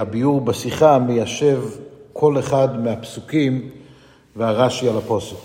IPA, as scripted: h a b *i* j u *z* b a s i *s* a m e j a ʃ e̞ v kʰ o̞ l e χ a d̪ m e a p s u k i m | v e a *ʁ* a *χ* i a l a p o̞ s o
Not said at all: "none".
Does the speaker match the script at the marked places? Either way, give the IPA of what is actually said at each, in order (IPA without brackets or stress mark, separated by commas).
i, ʁ, χ, ʁ, ʃ